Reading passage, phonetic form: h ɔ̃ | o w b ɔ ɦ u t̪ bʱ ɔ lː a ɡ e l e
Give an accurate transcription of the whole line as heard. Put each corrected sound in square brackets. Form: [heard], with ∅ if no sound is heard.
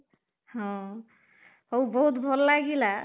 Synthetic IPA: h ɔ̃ | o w b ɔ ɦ u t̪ bʱ ɔ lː a ɡ [i] l [a]